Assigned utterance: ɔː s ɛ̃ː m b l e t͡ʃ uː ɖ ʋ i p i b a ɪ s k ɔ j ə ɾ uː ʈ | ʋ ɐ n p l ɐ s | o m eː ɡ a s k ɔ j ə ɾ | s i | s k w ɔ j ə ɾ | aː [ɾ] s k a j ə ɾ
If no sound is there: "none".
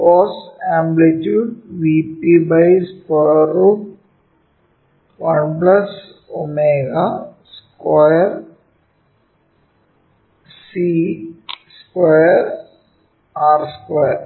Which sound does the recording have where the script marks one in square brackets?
ɾ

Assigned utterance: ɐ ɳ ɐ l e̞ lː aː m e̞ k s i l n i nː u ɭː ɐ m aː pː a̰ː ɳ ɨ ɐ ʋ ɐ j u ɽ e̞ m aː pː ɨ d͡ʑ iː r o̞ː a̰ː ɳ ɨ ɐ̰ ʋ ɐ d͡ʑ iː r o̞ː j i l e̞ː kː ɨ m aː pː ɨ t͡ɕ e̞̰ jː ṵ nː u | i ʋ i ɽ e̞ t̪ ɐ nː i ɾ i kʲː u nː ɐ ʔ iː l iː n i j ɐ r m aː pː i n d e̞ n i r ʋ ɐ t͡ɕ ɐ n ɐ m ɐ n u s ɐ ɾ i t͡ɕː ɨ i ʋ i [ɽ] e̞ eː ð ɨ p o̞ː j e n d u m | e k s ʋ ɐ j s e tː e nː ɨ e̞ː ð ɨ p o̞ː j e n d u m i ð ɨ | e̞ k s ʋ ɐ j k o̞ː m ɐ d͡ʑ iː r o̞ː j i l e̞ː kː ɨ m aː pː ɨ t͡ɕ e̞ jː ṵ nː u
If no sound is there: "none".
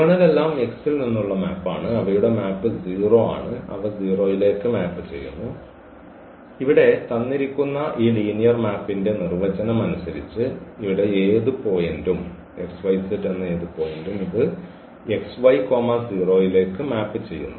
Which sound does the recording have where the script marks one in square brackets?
ɽ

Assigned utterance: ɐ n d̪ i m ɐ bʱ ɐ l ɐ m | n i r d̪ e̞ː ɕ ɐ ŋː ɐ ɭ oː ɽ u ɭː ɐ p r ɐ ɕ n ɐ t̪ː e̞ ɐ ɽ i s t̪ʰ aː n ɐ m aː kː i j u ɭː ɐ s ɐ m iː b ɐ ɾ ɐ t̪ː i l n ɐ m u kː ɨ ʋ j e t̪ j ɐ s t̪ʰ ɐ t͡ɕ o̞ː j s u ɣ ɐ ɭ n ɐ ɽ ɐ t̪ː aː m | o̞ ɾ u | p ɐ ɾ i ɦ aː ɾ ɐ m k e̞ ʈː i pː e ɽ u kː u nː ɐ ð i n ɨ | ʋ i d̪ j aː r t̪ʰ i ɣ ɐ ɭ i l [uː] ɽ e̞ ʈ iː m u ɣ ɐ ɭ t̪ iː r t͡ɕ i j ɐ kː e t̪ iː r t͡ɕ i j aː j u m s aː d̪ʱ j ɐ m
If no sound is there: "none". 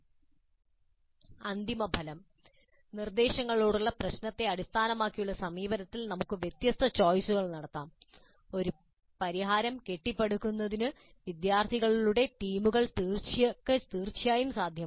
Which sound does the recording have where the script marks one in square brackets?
u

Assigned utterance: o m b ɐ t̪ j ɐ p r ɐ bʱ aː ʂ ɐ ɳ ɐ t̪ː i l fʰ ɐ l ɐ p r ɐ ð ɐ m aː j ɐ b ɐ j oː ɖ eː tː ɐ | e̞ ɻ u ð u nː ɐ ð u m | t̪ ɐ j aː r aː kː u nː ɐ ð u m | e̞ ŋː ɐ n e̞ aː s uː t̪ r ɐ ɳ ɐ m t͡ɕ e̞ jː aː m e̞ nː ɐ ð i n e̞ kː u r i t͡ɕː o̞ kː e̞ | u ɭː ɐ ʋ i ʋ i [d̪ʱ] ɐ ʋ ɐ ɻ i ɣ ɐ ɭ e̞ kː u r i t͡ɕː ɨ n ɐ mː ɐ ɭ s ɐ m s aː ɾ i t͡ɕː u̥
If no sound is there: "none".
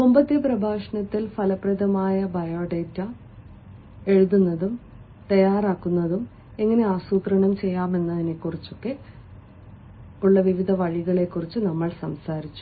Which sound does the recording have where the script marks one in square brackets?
d̪ʱ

